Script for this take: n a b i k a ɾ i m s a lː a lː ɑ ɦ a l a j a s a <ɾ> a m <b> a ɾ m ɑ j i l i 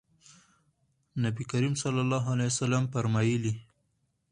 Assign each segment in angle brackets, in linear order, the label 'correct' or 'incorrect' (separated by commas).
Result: incorrect, incorrect